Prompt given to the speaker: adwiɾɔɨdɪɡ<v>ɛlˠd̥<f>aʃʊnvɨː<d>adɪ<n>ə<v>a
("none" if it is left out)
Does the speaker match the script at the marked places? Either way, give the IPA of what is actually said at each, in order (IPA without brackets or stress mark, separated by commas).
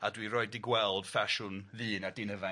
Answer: w, f, n, n, v